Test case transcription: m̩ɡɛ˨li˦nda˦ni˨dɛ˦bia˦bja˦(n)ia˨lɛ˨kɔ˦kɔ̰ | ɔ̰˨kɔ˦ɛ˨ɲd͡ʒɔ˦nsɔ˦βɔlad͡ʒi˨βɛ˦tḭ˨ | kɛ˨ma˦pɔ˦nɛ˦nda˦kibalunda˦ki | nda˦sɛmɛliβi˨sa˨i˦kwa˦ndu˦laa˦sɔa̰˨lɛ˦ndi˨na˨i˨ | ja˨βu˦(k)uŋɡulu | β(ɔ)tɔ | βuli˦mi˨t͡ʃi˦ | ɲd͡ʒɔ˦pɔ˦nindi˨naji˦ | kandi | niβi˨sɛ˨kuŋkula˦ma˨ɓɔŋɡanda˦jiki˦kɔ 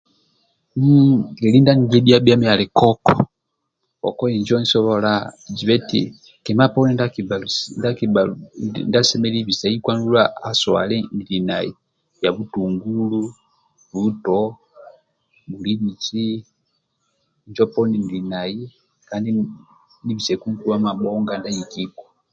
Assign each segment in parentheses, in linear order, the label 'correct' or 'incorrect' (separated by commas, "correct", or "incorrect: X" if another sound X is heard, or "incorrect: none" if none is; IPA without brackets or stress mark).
incorrect: m, incorrect: t, incorrect: u